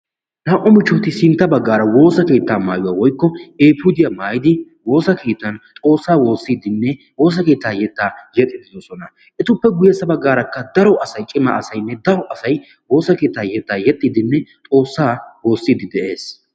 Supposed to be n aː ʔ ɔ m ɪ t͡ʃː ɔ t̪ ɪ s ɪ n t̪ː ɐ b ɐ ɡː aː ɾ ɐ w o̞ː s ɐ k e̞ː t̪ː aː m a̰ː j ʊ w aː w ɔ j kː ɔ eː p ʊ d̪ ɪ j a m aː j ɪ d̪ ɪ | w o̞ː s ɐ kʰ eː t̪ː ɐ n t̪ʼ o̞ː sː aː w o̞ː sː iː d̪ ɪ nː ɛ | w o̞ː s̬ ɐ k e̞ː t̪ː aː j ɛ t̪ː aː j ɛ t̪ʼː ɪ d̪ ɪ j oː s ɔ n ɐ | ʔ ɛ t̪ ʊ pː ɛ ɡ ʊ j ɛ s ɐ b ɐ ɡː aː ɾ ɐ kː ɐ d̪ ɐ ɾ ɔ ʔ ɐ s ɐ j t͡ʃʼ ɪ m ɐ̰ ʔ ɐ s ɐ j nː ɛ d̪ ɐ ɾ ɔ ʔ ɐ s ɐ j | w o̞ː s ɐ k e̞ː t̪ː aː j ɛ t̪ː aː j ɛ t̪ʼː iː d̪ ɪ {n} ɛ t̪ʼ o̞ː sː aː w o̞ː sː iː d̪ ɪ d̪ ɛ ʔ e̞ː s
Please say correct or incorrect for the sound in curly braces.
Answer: incorrect